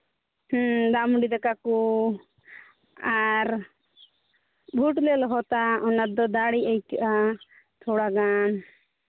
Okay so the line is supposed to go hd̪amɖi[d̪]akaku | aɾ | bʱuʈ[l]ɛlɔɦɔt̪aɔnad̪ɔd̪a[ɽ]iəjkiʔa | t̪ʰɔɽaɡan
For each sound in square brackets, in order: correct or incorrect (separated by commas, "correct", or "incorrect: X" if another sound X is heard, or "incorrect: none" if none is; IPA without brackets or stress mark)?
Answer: correct, correct, correct